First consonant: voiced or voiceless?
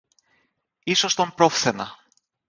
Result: voiceless